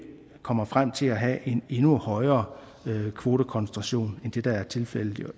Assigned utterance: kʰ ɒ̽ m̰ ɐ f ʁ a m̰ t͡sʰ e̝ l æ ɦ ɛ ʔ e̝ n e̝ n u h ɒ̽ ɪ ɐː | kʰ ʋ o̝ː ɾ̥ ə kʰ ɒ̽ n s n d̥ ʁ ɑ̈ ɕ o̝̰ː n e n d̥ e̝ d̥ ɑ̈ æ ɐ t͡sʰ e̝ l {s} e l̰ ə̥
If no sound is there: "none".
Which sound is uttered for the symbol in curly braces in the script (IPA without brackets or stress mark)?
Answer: f